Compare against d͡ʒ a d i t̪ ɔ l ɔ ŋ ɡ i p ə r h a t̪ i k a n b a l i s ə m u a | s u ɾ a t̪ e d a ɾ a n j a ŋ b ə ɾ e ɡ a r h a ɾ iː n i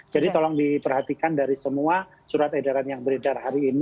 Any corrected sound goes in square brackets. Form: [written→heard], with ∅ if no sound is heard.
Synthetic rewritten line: d͡ʒ a d i t̪ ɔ l ɔ ŋ [ɡ→d] i p ə r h a t̪ i k a n [b→d] a [l→ɾ] i s ə m u a | s u ɾ a t̪ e d a ɾ a n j a ŋ b ə ɾ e [ɡ→d] a r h a ɾ iː n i